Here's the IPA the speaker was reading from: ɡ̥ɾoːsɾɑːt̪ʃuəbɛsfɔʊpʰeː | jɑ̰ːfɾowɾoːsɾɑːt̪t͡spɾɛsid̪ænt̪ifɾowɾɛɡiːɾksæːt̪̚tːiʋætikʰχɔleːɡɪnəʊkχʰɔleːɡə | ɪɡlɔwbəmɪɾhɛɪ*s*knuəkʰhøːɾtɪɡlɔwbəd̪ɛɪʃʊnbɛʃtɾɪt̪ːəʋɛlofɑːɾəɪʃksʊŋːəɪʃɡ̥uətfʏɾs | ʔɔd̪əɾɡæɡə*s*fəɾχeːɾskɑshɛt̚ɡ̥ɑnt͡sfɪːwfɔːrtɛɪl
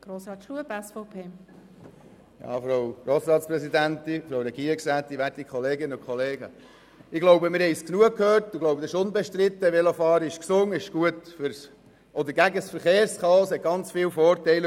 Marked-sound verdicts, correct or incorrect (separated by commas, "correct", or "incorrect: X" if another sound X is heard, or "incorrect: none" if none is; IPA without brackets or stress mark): correct, correct